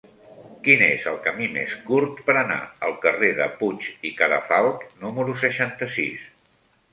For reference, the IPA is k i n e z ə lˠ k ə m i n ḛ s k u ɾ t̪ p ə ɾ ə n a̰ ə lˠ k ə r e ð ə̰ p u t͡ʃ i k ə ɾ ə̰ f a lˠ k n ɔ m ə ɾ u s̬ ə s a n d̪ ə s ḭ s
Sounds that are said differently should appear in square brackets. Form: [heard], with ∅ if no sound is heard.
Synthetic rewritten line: k i n e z ə lˠ k ə m i [m] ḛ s k u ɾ t̪ p ə ɾ ə n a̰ ə lˠ k ə r e ð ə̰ p u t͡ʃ i k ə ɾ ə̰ f a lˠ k n [u] m ə ɾ u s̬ ə [ʃ] a n [t̪] ə s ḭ s